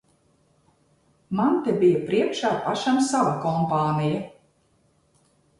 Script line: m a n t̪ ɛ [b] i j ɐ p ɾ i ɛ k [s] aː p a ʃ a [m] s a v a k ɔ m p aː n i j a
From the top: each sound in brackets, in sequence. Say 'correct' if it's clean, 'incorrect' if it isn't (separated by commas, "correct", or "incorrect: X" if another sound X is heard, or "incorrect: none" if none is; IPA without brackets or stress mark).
correct, incorrect: ʃ, correct